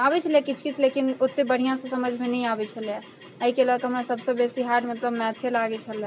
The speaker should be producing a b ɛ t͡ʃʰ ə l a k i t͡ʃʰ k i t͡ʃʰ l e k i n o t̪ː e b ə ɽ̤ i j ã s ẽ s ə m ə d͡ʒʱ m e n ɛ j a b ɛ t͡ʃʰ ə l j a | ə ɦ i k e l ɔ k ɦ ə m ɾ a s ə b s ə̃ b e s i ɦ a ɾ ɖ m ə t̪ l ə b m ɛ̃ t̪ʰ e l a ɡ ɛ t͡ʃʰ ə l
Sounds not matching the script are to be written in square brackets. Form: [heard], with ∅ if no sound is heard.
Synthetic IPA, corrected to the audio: a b ɛ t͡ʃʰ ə l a k i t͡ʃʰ k i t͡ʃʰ l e k i n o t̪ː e b ə ɽ̤ i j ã s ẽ s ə m ə d͡ʒʱ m e n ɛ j a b ɛ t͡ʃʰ ə l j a | ə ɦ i k e l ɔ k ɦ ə m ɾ a s ə b s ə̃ b e s i ɦ a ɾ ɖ m ə t̪ l ə b m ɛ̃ t̪ʰ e l a ɡ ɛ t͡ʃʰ ə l